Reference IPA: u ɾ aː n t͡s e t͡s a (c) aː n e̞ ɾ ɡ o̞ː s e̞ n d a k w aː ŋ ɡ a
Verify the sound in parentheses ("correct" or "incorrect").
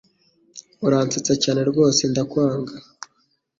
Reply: correct